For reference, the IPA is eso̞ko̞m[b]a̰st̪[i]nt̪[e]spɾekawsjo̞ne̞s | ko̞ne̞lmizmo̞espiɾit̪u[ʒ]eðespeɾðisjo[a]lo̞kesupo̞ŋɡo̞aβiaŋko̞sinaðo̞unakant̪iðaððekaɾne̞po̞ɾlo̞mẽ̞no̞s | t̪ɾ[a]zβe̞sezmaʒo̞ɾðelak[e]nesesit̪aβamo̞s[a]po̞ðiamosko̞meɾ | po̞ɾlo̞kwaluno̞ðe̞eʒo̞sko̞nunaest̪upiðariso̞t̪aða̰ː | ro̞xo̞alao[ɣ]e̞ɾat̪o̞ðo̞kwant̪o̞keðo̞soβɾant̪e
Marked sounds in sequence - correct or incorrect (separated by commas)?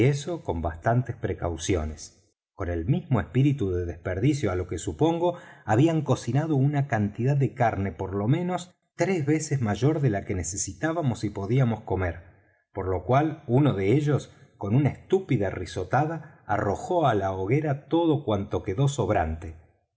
correct, incorrect, correct, incorrect, correct, incorrect, correct, incorrect, correct